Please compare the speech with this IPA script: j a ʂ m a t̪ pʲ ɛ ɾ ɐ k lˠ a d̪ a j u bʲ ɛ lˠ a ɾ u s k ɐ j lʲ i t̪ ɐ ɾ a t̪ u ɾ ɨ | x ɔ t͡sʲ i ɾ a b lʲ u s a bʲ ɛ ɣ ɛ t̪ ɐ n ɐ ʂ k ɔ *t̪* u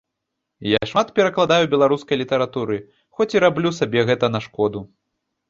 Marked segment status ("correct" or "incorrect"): incorrect